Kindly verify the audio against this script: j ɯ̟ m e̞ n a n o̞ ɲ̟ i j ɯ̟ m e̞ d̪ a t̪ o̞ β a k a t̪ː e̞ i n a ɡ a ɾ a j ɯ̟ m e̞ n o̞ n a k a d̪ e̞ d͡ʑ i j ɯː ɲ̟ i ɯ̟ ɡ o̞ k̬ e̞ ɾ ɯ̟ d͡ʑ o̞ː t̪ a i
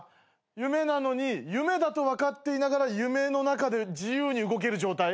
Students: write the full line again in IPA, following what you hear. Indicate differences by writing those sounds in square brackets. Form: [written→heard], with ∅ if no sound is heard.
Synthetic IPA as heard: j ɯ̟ m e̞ n a n o̞ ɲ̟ i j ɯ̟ m e̞ d̪ a t̪ o̞ β a k a t̪ː e̞ i n a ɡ a ɾ a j ɯ̟ m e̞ n o̞ n a k a d̪ e̞ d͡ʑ i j ɯː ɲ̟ i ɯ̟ ɡ o̞ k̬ e̞ ɾ ɯ̟ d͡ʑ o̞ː t̪ a i